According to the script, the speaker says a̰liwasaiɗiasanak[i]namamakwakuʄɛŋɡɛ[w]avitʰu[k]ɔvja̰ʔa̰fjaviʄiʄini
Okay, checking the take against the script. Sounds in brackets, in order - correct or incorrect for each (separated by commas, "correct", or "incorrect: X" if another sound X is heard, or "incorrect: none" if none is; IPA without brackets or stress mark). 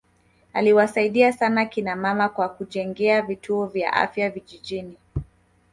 correct, incorrect: none, incorrect: none